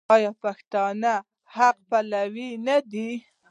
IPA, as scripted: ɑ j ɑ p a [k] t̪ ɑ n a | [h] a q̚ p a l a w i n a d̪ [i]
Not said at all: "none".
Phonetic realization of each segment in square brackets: x, h, i

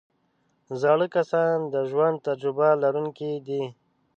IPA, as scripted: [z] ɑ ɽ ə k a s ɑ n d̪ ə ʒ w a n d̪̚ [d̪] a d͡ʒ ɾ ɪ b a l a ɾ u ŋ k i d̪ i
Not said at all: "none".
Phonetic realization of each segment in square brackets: z, t̪

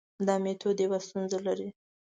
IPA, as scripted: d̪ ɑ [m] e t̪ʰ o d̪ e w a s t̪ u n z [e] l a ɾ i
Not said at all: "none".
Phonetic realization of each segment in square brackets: m, a

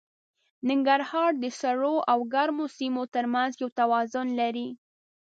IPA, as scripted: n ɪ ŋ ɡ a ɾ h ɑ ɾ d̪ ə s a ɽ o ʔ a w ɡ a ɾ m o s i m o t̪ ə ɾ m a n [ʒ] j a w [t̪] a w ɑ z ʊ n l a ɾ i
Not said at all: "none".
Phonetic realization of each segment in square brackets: z, t̪

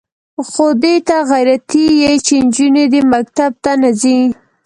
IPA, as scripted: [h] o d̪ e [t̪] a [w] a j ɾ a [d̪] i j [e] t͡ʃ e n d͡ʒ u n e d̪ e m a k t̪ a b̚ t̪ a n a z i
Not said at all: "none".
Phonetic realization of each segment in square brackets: x, t̪, ɣ, t̪, e

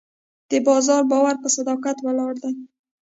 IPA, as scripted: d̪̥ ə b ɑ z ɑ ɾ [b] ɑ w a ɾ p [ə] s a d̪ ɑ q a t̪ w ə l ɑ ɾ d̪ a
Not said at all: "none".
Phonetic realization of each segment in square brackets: b, ə

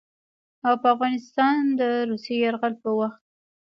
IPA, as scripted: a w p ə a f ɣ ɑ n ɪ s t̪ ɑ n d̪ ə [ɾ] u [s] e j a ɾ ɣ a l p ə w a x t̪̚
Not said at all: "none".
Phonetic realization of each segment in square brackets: ɾ, s

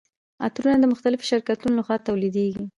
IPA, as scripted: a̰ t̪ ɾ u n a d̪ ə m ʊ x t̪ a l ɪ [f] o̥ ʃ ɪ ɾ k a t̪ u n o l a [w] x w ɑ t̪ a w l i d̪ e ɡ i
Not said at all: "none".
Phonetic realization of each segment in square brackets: f, none

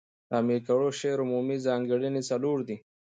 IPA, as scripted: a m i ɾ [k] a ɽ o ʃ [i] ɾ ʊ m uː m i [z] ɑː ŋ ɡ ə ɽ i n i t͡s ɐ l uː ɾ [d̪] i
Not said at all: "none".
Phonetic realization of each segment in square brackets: k, e, z, d̪

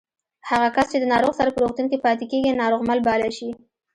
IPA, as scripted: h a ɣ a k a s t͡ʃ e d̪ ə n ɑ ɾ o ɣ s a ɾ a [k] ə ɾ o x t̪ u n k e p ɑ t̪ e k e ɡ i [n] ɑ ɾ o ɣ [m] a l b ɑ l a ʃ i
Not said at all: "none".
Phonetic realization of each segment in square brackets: p, n, m

